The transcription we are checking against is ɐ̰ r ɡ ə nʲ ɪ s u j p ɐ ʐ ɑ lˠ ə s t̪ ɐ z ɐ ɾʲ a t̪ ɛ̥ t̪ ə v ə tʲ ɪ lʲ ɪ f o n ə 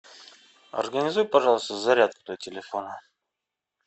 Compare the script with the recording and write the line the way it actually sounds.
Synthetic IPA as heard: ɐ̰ r ɡ ə nʲ ɪ z u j p ɐ ʐ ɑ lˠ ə s t̪ ə z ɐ ɾʲ a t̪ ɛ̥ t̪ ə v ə tʲ ɪ lʲ ɪ f o n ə